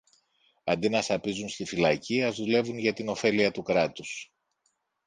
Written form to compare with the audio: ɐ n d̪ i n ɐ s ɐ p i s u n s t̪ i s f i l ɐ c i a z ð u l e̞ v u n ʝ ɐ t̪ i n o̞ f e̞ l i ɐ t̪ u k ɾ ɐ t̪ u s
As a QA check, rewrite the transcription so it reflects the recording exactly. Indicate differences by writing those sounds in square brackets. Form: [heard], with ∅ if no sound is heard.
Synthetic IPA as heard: ɐ n d̪ i n ɐ s ɐ p i [z] u n s t̪ i [∅] f i l ɐ c i [ɐ] z ð u l e̞ v u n ʝ ɐ t̪ i n o̞ f e̞ l i ɐ t̪ u k ɾ ɐ t̪ u s